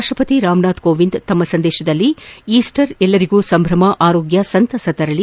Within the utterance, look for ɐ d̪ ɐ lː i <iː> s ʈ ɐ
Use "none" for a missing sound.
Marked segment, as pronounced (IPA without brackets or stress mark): iː